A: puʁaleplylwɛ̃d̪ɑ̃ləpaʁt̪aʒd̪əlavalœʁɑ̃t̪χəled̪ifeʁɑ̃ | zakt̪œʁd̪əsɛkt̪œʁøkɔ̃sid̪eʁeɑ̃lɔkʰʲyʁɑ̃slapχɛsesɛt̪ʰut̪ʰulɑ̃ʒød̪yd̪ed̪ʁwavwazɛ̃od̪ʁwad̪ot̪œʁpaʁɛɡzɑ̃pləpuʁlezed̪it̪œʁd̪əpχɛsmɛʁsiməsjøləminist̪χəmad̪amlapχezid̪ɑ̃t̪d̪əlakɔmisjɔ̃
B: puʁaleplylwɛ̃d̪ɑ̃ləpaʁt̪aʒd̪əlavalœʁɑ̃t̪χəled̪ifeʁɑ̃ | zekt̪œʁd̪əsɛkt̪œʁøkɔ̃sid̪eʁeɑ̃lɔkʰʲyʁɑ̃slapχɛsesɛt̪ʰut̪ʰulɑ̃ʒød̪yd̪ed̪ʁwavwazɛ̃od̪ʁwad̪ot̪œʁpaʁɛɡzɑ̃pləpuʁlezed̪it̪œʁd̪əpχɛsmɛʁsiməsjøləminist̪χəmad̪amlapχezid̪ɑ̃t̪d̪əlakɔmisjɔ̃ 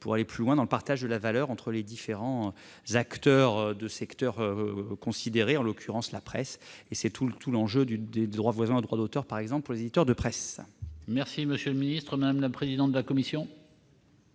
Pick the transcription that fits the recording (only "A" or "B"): A